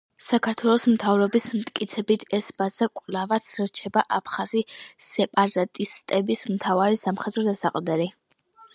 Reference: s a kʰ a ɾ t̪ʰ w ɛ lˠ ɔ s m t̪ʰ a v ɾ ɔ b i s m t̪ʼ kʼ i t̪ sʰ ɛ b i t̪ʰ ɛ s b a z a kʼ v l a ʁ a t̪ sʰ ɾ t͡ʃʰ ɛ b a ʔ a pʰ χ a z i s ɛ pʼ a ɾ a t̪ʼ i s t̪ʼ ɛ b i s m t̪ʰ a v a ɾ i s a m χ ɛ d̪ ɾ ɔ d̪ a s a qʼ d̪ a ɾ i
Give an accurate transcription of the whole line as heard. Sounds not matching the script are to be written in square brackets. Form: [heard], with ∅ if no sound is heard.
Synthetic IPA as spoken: s a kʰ a ɾ t̪ʰ w ɛ lˠ ɔ s m t̪ʰ a v ɾ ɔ b i s m t̪ʼ kʼ i t̪ sʰ ɛ b i t̪ʰ ɛ s b a z a kʼ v l a [v] a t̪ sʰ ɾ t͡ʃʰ ɛ b a ʔ a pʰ χ a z i s ɛ pʼ a ɾ a t̪ʼ i s t̪ʼ ɛ b i s m t̪ʰ a v a ɾ i s a m χ ɛ d̪ ɾ ɔ d̪ a s a qʼ d̪ [ɛ] ɾ i

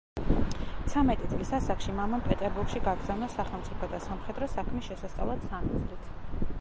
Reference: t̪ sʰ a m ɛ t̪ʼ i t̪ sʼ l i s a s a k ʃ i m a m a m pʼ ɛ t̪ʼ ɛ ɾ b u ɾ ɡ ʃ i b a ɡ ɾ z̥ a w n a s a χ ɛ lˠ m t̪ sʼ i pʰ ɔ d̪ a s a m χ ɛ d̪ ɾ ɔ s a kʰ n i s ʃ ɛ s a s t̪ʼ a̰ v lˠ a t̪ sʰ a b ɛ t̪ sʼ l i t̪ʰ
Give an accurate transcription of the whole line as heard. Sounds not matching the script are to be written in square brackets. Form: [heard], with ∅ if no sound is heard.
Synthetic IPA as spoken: t̪ sʰ a m ɛ t̪ʼ i t̪ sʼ l i s a s a k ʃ i m a m a m pʼ ɛ t̪ʼ ɛ ɾ b u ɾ ɡ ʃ i [ɡ] a ɡ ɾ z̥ a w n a s a χ ɛ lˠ m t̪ sʼ i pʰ ɔ d̪ a s a m χ ɛ d̪ ɾ ɔ s a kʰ [m] i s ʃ ɛ s a s t̪ʼ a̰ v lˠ a t̪ sʰ a [m] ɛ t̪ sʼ l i t̪ʰ

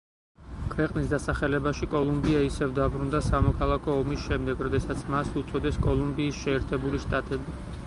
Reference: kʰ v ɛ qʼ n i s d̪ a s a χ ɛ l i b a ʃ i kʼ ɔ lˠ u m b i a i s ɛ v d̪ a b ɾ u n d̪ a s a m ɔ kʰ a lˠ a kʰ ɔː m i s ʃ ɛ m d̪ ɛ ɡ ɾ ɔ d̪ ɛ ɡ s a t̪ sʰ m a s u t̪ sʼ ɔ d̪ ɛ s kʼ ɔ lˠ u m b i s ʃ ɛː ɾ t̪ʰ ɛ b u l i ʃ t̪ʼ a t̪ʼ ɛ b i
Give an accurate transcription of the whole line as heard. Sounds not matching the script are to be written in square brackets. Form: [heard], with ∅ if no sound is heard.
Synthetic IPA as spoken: kʰ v ɛ qʼ n i s d̪ a s a χ ɛ l [ɛ] b a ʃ i kʼ ɔ lˠ u m b i a i s ɛ v d̪ a b ɾ u n d̪ a s a m ɔ kʰ a lˠ a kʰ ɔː m i s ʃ ɛ m d̪ ɛ ɡ ɾ ɔ d̪ ɛ [∅] s a t̪ sʰ m a s u t̪ sʼ ɔ d̪ ɛ s kʼ ɔ lˠ u m b [iː] s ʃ ɛː ɾ t̪ʰ ɛ b u l i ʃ t̪ʼ a t̪ʼ ɛ b i

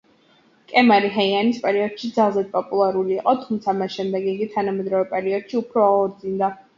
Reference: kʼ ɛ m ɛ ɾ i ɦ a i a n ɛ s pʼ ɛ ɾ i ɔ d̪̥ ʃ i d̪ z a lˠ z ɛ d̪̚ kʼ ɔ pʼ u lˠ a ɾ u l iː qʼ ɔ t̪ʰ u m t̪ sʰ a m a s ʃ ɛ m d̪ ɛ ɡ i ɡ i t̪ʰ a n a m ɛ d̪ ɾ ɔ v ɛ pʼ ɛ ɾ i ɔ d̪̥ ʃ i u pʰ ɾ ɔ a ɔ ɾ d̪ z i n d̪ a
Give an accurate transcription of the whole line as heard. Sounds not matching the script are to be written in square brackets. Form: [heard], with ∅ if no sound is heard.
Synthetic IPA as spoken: kʼ ɛ m [a] ɾ i ɦ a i a n [i] s pʼ ɛ ɾ i ɔ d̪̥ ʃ i d̪ z a lˠ z ɛ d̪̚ [pʼ] ɔ pʼ u lˠ a ɾ u l iː qʼ ɔ t̪ʰ u m t̪ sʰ a m a s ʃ ɛ m d̪ ɛ ɡ i ɡ i t̪ʰ a n a m ɛ d̪ ɾ ɔ v ɛ pʼ ɛ ɾ i ɔ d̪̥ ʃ i u pʰ ɾ ɔ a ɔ ɾ d̪ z i n d̪ a

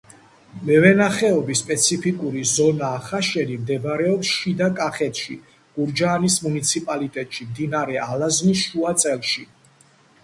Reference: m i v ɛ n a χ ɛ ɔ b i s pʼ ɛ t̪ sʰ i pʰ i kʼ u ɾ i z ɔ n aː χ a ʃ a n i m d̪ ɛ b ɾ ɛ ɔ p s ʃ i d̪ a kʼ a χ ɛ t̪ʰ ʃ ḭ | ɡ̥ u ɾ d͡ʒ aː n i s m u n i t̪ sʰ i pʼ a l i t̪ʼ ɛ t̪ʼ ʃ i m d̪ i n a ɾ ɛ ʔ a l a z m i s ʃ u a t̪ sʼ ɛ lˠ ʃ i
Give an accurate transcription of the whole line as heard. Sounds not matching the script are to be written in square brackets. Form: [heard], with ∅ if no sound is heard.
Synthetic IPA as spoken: m [ɛ] v ɛ n a χ ɛ ɔ b i s pʼ ɛ t̪ sʰ i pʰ i kʼ u ɾ i z ɔ n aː χ a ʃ [ɛ] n i m d̪ ɛ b ɾ ɛ ɔ p s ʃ i d̪ a kʼ a χ ɛ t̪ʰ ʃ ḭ | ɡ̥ u ɾ d͡ʒ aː n i s m u n i t̪ sʰ i pʼ a l i t̪ʼ ɛ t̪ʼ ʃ i m d̪ i n a ɾ ɛ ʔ a l a z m i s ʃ u a t̪ sʼ ɛ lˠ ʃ i

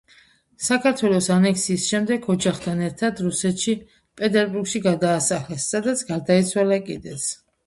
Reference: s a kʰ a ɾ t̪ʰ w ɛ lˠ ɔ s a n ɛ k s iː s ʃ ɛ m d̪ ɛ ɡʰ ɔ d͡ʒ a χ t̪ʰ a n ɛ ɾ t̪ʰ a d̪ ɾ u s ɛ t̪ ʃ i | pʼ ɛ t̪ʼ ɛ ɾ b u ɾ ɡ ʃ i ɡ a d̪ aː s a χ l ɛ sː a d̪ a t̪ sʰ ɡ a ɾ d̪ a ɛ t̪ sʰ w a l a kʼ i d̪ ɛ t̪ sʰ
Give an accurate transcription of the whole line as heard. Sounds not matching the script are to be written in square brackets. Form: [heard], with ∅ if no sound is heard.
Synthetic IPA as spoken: s a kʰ a ɾ t̪ʰ w ɛ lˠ ɔ s a n ɛ k s iː s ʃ ɛ m d̪ ɛ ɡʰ ɔ d͡ʒ a χ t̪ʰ a n ɛ ɾ t̪ʰ a d̪ ɾ u s ɛ t̪ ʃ i | pʼ ɛ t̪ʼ ɛ ɾ b u ɾ ɡ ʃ i ɡ a d̪ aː s a χ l ɛ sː a d̪ a t̪ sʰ ɡ a ɾ d̪ a [i] t̪ sʰ w a l a kʼ i d̪ ɛ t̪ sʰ

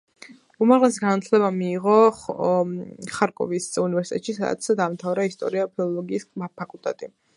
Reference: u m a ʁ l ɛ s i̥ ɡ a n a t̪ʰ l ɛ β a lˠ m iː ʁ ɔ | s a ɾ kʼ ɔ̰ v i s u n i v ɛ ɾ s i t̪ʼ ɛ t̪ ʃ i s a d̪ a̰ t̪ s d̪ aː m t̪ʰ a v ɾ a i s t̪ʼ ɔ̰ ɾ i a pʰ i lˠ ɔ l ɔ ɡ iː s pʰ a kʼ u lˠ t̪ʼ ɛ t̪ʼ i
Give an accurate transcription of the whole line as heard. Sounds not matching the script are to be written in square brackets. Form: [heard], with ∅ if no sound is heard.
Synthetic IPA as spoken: u m a ʁ l ɛ s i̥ ɡ a n a t̪ʰ l ɛ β a [∅] m iː ʁ ɔ | [χ] a ɾ kʼ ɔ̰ v i s u n i v ɛ ɾ s i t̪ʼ ɛ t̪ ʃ i s a d̪ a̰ t̪ s d̪ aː m t̪ʰ a v ɾ a i s t̪ʼ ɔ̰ ɾ i a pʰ i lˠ ɔ l ɔ ɡ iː s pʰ a kʼ u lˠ t̪ʼ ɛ t̪ʼ i

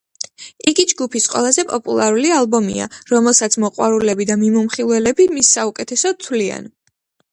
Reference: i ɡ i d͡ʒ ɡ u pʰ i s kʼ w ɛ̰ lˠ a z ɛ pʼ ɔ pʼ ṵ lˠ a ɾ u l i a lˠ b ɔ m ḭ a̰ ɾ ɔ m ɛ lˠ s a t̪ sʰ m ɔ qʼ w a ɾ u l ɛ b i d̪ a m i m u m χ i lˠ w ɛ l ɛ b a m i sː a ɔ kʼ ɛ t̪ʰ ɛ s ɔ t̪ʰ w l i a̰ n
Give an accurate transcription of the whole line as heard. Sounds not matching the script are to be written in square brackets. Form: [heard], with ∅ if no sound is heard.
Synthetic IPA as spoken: i ɡ i d͡ʒ ɡ u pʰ i s [qʼ] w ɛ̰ lˠ a z ɛ pʼ ɔ pʼ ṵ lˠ a ɾ u l i a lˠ b ɔ m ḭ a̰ ɾ ɔ m ɛ lˠ s a t̪ sʰ m ɔ qʼ w a ɾ u l ɛ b i d̪ a m i m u m χ i lˠ w ɛ l ɛ b [i] m i sː a [u] kʼ ɛ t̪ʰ ɛ s ɔ t̪ʰ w l i a̰ n

